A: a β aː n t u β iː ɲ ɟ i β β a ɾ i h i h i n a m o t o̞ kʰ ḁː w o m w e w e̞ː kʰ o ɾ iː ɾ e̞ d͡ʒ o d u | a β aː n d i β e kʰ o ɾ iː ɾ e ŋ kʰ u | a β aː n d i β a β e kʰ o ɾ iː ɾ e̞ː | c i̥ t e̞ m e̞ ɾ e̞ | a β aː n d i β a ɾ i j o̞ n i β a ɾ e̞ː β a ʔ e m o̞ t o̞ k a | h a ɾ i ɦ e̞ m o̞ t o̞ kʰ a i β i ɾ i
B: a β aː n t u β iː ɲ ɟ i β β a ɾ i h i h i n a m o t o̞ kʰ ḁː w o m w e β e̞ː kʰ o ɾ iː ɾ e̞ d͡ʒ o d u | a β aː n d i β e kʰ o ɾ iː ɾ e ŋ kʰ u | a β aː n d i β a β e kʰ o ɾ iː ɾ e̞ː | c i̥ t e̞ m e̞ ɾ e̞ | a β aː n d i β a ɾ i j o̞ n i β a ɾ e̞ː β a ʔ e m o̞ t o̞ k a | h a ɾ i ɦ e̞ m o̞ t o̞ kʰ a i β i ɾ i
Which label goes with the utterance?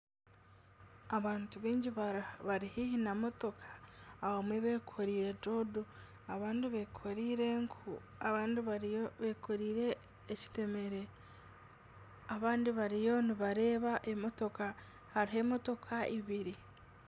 B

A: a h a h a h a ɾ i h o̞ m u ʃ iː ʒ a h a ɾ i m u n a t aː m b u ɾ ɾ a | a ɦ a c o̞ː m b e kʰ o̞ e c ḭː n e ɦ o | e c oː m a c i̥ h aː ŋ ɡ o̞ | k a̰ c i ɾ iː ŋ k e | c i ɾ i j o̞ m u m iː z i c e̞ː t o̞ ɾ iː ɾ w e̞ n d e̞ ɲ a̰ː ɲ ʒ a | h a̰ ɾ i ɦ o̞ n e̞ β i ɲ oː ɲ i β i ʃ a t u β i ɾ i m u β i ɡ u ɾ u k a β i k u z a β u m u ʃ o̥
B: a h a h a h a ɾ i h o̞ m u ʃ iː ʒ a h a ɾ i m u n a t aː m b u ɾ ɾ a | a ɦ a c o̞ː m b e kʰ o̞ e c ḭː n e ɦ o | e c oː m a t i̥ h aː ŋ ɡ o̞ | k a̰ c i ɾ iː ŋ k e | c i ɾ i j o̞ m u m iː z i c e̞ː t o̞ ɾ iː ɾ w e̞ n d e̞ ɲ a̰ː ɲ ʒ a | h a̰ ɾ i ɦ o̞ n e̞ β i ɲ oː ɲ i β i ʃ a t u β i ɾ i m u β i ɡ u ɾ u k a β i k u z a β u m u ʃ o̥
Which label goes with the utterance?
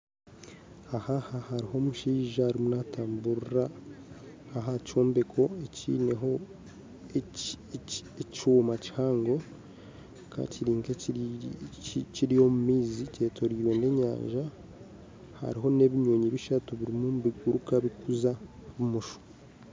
A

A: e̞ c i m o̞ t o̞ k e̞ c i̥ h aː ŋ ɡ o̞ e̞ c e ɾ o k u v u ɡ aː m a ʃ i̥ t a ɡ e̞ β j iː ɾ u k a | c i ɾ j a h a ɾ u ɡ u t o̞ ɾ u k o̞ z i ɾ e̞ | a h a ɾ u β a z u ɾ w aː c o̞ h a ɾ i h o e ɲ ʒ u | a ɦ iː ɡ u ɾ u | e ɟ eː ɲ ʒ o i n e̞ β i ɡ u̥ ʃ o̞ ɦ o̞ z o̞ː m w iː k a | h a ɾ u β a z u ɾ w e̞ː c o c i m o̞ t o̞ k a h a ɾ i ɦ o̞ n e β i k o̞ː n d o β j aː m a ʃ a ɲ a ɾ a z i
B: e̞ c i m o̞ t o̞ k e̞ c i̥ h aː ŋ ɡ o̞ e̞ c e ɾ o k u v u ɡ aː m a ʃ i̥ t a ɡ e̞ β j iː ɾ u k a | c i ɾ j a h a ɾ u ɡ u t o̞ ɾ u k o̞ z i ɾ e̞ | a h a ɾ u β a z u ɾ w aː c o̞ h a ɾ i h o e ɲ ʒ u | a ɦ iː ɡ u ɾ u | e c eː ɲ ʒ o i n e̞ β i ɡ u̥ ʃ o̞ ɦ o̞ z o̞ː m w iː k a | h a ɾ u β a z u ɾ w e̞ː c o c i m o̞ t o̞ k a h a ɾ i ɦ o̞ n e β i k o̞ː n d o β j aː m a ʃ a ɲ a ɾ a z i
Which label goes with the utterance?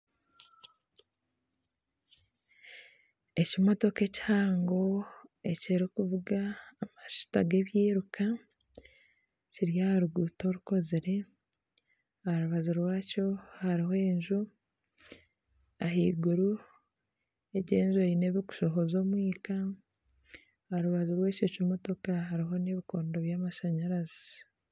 A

